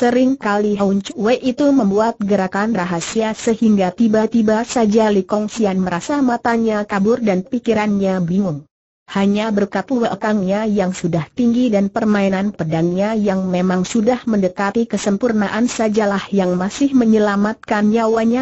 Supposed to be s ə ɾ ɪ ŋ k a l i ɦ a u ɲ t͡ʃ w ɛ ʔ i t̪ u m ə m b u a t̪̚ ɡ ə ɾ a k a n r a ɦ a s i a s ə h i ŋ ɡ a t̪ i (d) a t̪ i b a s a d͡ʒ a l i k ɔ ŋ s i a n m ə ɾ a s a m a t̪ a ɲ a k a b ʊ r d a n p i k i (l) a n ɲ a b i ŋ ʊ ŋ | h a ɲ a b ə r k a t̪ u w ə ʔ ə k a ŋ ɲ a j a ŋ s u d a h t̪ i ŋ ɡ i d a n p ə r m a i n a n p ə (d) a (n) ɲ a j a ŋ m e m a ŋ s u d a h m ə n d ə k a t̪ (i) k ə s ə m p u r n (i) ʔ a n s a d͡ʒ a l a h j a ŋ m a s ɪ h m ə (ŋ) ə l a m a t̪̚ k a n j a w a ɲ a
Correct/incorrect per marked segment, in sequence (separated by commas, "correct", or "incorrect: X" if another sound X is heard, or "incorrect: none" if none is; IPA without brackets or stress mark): incorrect: b, incorrect: ɾ, correct, incorrect: ŋ, correct, incorrect: a, incorrect: ɲ